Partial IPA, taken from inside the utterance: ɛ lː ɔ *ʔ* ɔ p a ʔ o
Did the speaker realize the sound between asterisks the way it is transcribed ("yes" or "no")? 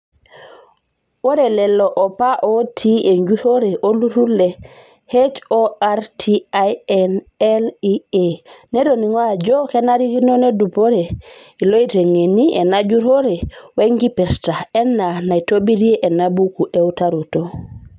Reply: yes